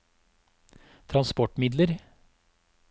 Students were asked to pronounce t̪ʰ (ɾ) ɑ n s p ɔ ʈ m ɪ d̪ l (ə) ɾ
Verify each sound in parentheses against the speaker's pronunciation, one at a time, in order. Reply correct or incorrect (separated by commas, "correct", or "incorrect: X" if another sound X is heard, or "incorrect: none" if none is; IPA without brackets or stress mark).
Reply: correct, correct